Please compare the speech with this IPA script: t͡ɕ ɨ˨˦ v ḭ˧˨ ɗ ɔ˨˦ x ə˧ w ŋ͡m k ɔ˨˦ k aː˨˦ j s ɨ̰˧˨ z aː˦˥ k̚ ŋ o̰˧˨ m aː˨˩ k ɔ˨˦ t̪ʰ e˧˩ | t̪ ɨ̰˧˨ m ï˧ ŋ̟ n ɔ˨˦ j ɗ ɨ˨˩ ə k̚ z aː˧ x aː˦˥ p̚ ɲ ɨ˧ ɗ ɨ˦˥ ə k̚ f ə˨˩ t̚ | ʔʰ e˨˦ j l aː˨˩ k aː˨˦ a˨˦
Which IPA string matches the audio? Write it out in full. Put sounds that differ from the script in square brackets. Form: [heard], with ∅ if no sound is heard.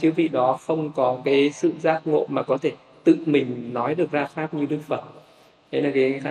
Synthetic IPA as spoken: t͡ɕ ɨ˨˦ v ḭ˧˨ ɗ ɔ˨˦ x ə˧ w ŋ͡m k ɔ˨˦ k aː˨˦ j s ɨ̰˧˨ z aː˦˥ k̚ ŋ o̰˧˨ m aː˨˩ k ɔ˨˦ t̪ʰ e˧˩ | t̪ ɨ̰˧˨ m [ï˨˩] ŋ̟ n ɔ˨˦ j ɗ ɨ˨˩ ə k̚ z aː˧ x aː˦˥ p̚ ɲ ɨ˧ ɗ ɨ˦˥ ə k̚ f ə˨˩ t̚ | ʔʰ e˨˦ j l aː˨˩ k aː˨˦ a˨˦